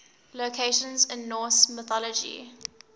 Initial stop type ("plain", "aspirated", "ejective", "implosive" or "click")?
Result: aspirated